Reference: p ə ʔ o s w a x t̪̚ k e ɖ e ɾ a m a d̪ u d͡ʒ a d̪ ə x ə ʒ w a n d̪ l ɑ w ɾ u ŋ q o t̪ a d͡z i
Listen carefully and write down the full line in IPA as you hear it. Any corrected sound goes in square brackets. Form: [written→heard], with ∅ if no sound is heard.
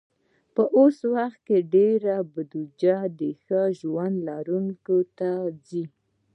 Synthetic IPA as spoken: p ə ʔ o s w a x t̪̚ k e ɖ e ɾ a [m→b] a d̪ u d͡ʒ a d̪ ə x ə ʒ w a n d̪ l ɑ [w→∅] ɾ u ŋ [q→k] o t̪ a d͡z i